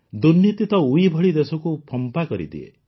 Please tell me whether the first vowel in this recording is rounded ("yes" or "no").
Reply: yes